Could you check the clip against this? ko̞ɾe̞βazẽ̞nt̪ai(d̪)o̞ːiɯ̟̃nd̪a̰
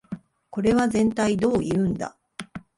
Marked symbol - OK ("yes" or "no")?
yes